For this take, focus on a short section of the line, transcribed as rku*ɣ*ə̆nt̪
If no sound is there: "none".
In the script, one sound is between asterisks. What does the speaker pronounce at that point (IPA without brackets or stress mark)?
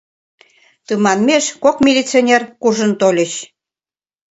ʒ